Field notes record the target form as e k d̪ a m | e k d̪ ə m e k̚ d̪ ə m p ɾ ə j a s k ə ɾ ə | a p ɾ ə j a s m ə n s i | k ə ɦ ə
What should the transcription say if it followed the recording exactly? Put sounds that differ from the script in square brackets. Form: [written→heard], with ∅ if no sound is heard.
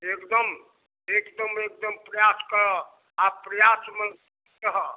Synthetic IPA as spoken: e k d̪ [a→ə] m | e k d̪ ə m e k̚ d̪ ə m p ɾ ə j a s k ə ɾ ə | a p ɾ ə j a s m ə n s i | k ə ɦ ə